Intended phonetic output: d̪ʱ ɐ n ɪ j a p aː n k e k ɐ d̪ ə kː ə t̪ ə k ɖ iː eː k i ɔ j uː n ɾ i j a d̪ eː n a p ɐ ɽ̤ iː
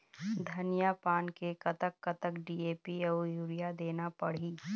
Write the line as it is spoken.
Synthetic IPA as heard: d̪ʱ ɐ n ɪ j a p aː n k e k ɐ t̪ ə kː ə t̪ ə k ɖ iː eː p i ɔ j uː ɾ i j a d̪ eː n a p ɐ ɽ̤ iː